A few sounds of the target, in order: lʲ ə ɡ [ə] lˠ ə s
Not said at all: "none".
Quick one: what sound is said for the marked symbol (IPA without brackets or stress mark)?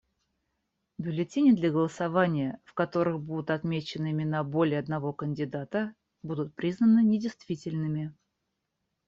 ə